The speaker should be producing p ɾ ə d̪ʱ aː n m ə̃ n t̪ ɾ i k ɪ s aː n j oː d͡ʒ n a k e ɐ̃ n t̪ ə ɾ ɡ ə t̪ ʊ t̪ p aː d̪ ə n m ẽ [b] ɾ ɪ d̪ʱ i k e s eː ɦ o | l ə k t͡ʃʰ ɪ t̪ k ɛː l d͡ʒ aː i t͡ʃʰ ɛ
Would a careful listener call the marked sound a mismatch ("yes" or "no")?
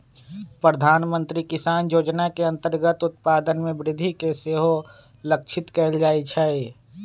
no